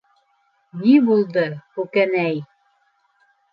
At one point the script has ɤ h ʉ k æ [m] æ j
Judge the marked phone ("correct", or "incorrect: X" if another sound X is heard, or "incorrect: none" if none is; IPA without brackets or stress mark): incorrect: n